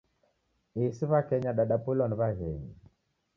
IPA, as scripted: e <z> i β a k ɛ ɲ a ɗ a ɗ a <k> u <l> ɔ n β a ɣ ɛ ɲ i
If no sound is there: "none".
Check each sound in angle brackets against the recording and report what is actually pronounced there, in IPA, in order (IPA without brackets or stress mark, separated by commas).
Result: s, p, l